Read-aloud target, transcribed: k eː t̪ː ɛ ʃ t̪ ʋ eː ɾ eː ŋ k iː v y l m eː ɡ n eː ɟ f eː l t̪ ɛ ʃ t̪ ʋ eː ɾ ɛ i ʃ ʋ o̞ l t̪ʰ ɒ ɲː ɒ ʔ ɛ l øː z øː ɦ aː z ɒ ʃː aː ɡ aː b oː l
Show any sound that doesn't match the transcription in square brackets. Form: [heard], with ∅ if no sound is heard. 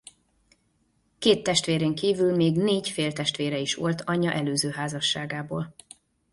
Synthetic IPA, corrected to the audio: k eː t̪ː ɛ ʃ t̪ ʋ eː ɾ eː ŋ k iː v y l m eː ɡ n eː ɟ f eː l t̪ ɛ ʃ t̪ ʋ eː ɾ ɛ i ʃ ʋ o̞ l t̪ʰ ɒ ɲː ɒ ʔ ɛ l øː z øː ɦ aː z ɒ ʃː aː ɡ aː b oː l